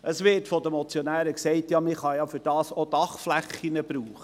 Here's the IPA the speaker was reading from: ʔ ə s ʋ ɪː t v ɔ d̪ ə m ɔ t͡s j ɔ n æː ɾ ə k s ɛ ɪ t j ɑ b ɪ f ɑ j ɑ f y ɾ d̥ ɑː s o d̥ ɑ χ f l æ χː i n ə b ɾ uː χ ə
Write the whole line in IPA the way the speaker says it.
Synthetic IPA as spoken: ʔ ə s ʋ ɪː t f ɔ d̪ ə m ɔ t͡s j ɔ n æː ɾ ə k s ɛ ɪ t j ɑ m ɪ χ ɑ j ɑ f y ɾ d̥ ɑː s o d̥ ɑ χ f l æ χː i n ə b ɾ uː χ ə